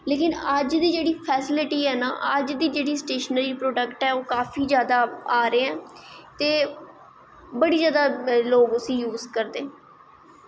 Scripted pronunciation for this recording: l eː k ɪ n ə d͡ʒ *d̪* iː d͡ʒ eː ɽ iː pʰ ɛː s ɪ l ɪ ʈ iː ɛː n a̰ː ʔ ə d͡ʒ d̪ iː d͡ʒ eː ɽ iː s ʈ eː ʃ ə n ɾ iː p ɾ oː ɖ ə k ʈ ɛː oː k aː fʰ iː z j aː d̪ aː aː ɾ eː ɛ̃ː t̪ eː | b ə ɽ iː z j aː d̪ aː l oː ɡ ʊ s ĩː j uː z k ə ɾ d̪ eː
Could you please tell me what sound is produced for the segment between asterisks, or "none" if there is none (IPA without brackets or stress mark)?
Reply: d̪